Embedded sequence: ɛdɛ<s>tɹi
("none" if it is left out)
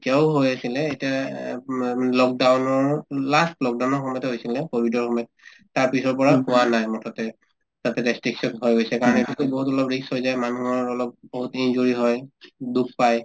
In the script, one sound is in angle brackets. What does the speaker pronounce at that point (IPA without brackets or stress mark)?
s